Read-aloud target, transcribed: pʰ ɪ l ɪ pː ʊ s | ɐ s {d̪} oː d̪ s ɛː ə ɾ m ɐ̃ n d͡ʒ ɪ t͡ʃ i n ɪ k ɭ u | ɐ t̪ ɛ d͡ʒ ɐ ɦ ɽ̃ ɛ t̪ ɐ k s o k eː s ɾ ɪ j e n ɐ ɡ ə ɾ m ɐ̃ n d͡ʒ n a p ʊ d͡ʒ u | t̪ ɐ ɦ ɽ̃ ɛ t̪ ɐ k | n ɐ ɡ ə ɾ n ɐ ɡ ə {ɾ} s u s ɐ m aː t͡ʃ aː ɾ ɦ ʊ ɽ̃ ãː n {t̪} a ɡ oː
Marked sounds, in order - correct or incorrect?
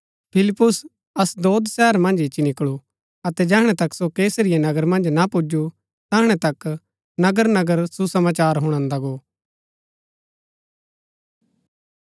correct, correct, incorrect

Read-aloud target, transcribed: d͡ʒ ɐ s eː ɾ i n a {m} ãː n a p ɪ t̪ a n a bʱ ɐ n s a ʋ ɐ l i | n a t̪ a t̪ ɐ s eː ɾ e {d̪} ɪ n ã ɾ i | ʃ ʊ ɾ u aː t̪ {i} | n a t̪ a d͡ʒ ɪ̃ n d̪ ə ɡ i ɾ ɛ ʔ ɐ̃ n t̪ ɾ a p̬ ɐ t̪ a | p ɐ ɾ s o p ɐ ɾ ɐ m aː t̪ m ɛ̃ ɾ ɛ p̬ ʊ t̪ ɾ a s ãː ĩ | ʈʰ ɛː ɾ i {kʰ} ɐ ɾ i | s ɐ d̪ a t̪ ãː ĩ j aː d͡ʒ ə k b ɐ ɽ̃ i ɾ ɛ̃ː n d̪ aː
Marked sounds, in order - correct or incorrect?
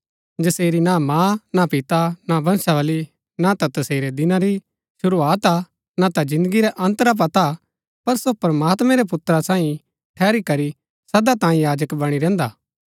correct, correct, incorrect, incorrect

